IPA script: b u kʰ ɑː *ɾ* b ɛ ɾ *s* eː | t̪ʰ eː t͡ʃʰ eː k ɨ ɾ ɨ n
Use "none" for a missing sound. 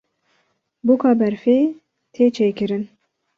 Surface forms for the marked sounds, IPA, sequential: none, f

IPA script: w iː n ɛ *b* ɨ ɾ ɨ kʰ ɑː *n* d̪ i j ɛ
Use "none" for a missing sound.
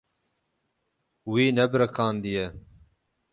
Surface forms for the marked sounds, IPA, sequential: b, n

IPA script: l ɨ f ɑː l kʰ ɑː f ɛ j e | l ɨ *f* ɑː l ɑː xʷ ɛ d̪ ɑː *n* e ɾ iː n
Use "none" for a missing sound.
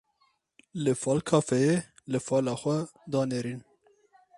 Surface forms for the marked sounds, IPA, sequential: f, n

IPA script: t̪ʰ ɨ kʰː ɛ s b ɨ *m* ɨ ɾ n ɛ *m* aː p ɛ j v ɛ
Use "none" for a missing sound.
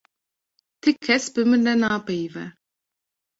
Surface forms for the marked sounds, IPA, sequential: m, n

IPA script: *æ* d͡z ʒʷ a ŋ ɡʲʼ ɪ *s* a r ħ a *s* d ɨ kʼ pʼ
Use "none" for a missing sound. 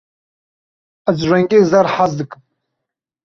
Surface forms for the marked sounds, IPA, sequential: a, z, z

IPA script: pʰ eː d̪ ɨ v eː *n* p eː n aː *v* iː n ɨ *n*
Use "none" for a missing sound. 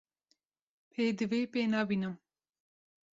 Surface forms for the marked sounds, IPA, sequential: none, b, m

